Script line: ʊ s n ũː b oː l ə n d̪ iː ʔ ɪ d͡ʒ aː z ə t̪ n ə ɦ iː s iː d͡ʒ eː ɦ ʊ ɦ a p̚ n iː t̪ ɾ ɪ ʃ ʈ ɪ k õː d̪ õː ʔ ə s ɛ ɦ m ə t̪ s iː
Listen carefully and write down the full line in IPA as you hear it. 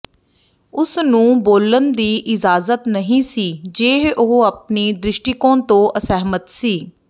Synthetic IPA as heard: ʊ s n ũː b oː l ə n d̪ iː ʔ ɪ d͡ʒ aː z ə t̪ n ə ɦ ĩː s iː d͡ʒ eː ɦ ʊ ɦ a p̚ n iː d̪ ɾ ɪ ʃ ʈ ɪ k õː t̪ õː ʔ ə s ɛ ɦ m ə t̪ s iː

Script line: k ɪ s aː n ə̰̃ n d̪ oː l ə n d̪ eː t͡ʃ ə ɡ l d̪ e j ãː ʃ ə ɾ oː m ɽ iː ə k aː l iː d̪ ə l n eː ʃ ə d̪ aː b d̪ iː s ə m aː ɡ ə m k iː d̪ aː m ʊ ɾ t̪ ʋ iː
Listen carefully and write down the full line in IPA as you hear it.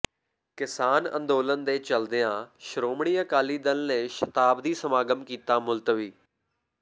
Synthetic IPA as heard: k ɪ s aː n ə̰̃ n d̪ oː l ə n d̪ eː t͡ʃ ə l d̪ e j ãː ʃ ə ɾ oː m ɽ iː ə k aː l iː d̪ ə l n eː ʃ ə t̪ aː b d̪ iː s ə m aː ɡ ə m k iː t̪ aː m ʊ l t̪ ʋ iː

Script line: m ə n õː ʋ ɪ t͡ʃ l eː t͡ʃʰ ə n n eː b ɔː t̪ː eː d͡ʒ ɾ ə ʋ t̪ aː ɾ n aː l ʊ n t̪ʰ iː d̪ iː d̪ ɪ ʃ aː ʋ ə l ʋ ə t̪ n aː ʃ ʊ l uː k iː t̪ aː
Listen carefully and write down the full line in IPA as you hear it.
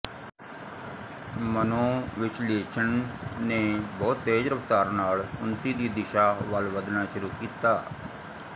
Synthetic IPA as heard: m ə n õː ʋ ɪ t͡ʃ l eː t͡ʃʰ ə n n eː b ɔː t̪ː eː d͡ʒ ɾ ə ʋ t̪ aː ɾ n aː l ʊ n t̪ iː d̪ iː d̪ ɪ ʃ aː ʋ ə l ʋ ə d̪ n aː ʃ ʊ ɾ uː k iː t̪ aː

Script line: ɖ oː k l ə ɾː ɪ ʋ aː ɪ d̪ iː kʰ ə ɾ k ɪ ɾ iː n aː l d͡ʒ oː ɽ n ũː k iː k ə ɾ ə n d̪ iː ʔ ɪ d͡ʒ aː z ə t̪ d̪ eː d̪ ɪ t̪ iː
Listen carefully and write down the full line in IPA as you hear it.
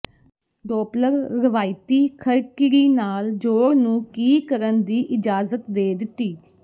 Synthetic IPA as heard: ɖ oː p l ə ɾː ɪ ʋ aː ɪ t̪ iː kʰ ə ɾ k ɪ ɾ iː n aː l d͡ʒ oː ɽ n ũː k iː k ə ɾ ə n d̪ iː ʔ ɪ d͡ʒ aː z ə t̪ d̪ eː d̪ ɪ t̪ iː

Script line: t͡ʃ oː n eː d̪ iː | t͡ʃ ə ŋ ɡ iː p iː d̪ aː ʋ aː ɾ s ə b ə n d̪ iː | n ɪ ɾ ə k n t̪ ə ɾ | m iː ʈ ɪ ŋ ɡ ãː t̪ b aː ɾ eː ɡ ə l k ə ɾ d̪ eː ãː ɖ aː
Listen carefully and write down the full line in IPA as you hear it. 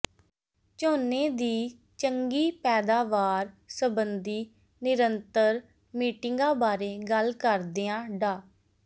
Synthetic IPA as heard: t͡ʃ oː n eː d̪ iː | t͡ʃ ə ŋ ɡ iː p ɛː d̪ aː ʋ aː ɾ s ə b ə n d̪ iː | n ɪ ɾ ə n t̪ ə ɾ | m iː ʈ ɪ ŋ ɡ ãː b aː ɾ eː ɡ ə l k ə ɾ d̪ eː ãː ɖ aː

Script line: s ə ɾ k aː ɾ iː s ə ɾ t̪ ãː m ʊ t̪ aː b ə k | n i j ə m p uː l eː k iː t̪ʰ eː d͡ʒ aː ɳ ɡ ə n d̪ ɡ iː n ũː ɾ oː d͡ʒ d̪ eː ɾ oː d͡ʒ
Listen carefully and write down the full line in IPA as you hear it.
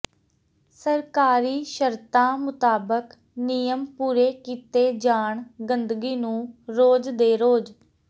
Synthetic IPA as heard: s ə ɾ k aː ɾ iː ʃ ə ɾ t̪ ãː m ʊ t̪ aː b ə k | n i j ə m p uː ɾ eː k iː t̪ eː d͡ʒ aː ɳ ɡ ə n d̪ ɡ iː n ũː ɾ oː d͡ʒ d̪ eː ɾ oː d͡ʒ

